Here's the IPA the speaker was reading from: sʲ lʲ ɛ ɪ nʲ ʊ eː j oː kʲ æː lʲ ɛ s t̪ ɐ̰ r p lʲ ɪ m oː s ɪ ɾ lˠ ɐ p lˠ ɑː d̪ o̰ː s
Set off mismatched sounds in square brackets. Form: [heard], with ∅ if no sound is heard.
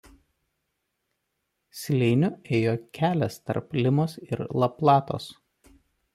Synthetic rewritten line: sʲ lʲ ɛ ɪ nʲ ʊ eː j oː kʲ æː lʲ ɛ s t̪ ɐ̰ [ɾ] p lʲ ɪ m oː s ɪ ɾ lˠ ɐ p lˠ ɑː [t̪] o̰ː s